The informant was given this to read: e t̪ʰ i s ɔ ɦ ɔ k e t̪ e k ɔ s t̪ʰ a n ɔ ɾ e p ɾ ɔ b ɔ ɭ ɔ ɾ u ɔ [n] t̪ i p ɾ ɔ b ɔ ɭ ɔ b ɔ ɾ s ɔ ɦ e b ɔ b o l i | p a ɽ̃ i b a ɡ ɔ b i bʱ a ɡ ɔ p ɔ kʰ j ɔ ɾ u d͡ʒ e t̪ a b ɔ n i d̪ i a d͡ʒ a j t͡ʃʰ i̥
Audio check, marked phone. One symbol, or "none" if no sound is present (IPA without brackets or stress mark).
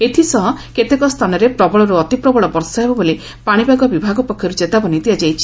none